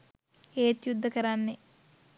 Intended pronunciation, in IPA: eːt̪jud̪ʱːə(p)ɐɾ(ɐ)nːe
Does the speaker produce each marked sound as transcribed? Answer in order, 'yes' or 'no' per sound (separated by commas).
no, no